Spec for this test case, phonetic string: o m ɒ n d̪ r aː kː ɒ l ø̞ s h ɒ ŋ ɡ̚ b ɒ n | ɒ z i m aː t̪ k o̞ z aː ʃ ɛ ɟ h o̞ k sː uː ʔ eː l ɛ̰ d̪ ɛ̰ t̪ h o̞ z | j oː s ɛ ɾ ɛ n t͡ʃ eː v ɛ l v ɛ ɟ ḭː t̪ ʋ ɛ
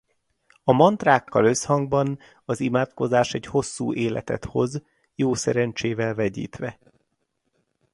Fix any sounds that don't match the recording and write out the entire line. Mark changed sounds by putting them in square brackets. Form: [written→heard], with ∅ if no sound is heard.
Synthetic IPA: [o→ɒ] m ɒ n [d̪→t̪] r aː kː ɒ l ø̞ s h ɒ ŋ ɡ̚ b ɒ n | ɒ z i m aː t̪ k o̞ z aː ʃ ɛ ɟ h o̞ [k→∅] sː uː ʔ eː l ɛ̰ [d̪→t̪] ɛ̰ t̪ h o̞ z | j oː s ɛ ɾ ɛ n t͡ʃ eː v ɛ l v ɛ ɟ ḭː t̪ ʋ ɛ